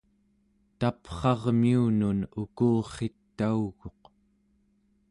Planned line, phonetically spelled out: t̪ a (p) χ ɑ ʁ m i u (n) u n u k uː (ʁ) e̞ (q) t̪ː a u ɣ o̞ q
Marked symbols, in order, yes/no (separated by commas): yes, yes, no, no